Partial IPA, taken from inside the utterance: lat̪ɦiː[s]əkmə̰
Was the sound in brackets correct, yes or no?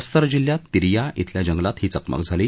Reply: no